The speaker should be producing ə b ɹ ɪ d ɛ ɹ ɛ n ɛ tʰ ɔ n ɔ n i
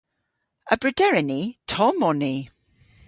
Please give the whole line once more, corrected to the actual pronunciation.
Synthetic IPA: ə b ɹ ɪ d ɛ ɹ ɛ n i tʰ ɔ m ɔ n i

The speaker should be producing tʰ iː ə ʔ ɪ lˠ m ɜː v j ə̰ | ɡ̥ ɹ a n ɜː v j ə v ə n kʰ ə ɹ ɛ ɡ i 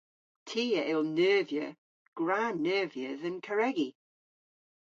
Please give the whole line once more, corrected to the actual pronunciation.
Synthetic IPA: tʰ iː ə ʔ ɪ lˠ n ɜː v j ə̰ | ɡ̥ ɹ a n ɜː v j ə ð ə n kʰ ə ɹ ɛ ɡ i

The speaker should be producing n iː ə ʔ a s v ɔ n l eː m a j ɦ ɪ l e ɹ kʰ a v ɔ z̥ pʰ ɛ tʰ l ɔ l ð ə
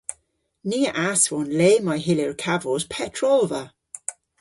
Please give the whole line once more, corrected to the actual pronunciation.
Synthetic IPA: n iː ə ʔ a s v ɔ n l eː m a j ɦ ɪ l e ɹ kʰ a v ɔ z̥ pʰ ɛ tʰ ɹ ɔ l v ə

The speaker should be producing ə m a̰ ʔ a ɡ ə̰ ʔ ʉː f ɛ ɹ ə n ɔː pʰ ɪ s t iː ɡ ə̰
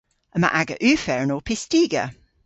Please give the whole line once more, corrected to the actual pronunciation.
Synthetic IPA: ə m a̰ ʔ a ɡ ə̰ ʔ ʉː f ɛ ɹ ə n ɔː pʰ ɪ s t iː ɡ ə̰

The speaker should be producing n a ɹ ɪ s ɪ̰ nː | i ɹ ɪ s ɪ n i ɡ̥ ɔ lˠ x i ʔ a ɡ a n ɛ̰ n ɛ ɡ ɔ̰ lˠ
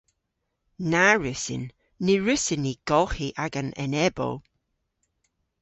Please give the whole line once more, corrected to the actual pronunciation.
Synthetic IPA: n a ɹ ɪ s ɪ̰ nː | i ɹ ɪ s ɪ n i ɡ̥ ɔ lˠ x i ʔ a ɡ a n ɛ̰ n ɛ b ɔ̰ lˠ

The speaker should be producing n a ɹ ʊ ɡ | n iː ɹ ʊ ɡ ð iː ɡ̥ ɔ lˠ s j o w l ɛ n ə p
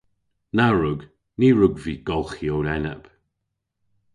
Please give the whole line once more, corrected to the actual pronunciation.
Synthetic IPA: n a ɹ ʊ ɡ | n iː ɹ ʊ ɡ v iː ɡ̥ ɔ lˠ x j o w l ɛ n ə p

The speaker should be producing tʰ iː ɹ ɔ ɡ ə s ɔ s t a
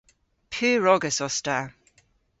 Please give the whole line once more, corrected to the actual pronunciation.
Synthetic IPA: pʰ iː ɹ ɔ ɡ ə s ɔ s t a

